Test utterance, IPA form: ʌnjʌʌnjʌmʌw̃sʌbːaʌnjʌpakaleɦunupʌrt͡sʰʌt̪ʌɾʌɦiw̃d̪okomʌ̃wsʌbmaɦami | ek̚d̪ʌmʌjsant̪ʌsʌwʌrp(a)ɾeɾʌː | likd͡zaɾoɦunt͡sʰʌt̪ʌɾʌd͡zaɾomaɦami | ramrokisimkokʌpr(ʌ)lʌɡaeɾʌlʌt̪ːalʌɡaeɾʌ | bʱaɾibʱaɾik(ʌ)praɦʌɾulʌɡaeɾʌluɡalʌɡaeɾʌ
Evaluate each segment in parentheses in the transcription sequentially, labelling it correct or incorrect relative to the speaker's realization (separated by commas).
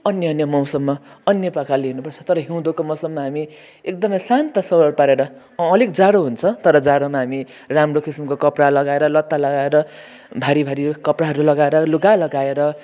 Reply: correct, incorrect, correct